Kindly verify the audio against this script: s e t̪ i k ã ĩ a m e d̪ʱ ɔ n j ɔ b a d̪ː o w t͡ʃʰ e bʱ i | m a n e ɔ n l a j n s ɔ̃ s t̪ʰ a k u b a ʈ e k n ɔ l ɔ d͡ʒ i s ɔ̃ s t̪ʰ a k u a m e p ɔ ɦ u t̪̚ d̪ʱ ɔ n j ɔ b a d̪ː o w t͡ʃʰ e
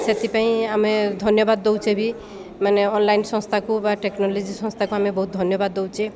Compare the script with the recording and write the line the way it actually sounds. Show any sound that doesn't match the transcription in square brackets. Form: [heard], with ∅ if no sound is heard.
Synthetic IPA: s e t̪ i [p] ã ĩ a m e d̪ʱ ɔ n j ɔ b a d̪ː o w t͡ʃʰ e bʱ i | m a n e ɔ n l a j n s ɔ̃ s t̪ʰ a k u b a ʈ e k n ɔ l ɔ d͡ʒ i s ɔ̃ s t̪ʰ a k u a m e [b] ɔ ɦ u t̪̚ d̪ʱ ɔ n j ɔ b a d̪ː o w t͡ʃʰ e